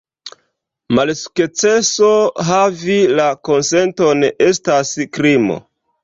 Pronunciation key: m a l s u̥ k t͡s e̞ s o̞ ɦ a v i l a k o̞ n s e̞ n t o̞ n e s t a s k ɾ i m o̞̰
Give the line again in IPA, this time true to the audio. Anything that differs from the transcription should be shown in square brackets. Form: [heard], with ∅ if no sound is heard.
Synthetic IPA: m a l s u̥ k t͡s e̞ s o̞ ɦ a v i l a k o̞ n s e̞ n t o̞ n e s t a s k ɾ i m o̞̰